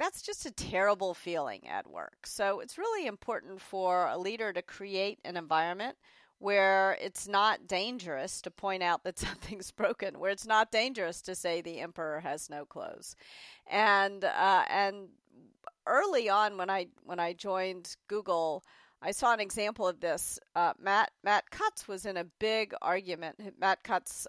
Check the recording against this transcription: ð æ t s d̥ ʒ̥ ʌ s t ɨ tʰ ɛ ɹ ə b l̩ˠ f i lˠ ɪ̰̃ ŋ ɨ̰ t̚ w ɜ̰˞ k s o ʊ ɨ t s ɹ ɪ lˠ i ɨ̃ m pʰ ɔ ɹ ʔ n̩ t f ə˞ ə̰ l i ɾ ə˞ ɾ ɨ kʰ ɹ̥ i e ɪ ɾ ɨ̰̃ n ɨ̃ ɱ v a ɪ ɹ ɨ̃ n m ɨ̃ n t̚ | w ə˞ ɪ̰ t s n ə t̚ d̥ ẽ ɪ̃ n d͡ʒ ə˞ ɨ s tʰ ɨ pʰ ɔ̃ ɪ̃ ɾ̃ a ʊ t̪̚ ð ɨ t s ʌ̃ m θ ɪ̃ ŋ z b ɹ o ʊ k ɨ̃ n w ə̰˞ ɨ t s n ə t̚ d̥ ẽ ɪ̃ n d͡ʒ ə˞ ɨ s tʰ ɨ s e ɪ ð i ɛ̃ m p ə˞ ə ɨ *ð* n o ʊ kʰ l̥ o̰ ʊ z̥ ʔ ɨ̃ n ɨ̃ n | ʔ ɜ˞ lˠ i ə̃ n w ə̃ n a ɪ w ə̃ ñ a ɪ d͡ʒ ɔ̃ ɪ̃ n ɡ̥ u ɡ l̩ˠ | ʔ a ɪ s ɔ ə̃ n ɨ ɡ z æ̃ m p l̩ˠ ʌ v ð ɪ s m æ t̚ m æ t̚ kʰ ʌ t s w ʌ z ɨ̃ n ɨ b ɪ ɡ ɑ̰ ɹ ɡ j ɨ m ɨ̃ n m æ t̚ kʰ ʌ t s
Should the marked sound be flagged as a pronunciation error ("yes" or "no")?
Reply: yes